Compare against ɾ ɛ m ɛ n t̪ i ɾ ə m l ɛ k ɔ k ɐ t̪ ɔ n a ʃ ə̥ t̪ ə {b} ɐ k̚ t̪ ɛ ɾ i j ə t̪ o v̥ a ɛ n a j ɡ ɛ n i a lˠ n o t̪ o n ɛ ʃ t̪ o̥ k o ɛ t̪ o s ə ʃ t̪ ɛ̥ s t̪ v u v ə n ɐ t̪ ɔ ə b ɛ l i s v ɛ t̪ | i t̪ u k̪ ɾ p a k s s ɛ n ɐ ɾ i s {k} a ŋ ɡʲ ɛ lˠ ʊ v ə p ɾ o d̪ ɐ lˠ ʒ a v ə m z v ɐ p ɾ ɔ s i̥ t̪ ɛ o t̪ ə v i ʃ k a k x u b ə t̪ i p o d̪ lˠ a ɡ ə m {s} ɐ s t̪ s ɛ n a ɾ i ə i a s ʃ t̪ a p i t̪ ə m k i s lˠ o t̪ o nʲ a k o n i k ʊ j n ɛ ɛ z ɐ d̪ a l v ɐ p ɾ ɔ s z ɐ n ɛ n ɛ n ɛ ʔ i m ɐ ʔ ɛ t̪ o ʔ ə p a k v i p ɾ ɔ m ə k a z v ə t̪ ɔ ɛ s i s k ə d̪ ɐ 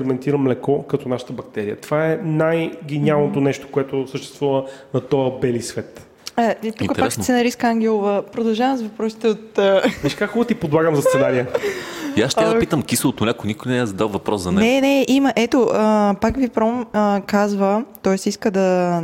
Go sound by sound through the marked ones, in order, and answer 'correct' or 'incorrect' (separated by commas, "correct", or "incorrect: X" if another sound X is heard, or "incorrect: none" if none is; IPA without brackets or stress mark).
correct, correct, incorrect: z